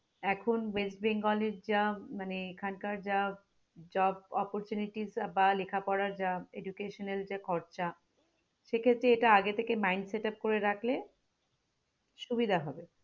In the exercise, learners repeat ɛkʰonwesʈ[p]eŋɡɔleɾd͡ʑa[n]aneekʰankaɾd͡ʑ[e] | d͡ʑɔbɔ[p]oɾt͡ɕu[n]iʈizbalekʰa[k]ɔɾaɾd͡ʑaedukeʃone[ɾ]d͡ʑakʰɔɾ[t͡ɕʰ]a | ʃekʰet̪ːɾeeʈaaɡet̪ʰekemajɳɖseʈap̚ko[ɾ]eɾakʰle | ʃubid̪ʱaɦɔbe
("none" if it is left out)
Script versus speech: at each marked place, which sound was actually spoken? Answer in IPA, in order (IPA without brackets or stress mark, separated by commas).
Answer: b, m, a, p, n, p, l, t͡ɕ, ɾ